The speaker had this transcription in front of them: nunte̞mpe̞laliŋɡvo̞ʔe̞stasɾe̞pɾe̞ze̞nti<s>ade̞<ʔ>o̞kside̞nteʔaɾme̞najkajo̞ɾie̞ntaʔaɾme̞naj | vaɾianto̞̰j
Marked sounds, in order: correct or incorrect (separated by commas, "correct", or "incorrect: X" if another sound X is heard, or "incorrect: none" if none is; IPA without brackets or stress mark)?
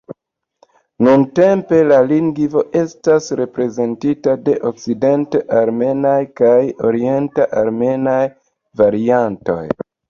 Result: incorrect: t, correct